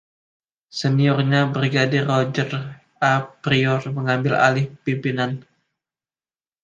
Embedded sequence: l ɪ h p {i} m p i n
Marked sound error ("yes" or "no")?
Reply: no